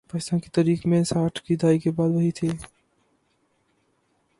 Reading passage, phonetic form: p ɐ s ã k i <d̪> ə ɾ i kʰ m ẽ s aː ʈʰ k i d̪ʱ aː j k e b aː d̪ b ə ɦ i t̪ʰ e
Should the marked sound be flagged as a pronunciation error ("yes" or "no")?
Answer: yes